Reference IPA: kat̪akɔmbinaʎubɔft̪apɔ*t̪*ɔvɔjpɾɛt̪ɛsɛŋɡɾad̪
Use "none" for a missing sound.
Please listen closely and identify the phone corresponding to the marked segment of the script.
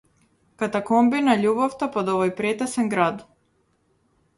d̪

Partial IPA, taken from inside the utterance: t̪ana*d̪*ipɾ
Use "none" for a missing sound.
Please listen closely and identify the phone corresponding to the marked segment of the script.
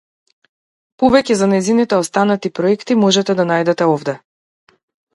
t̪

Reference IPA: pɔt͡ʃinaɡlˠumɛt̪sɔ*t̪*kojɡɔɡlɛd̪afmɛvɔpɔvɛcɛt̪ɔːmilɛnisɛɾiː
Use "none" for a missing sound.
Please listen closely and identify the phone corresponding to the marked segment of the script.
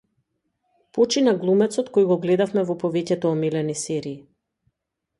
t̪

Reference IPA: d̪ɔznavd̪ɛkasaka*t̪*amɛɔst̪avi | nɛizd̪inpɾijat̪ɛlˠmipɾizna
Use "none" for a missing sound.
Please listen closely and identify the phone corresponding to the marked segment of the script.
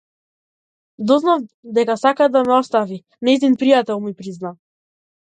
d̪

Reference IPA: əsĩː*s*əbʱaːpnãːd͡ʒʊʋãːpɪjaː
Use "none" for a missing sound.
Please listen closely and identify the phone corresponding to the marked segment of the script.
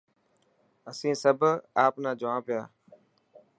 s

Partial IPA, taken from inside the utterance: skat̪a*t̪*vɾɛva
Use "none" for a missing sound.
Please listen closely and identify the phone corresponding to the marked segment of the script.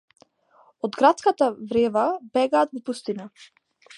none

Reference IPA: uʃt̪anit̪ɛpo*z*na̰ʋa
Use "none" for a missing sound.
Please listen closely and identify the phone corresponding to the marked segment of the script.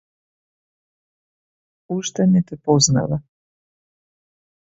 z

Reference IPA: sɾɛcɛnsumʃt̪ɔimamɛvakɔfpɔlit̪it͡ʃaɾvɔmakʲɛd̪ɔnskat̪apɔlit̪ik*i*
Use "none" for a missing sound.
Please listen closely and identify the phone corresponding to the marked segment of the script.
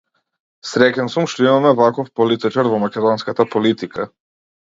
a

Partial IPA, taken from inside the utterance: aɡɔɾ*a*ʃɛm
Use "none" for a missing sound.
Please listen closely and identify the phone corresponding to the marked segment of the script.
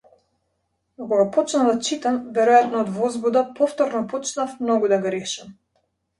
ɛ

